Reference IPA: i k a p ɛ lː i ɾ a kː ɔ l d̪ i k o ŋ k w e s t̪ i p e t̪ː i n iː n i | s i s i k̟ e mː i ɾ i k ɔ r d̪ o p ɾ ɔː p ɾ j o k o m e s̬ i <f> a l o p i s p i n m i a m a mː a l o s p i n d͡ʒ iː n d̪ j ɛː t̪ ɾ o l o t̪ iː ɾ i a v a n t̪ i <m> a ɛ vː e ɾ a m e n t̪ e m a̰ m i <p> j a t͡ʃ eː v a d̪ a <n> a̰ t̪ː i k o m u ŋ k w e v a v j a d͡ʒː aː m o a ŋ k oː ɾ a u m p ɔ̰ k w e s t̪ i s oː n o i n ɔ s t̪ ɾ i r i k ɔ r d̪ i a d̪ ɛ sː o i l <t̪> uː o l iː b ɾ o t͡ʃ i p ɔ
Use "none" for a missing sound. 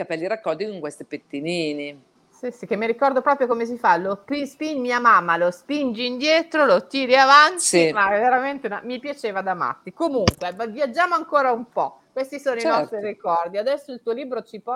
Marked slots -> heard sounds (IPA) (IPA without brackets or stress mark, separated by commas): f, m, p, m, t̪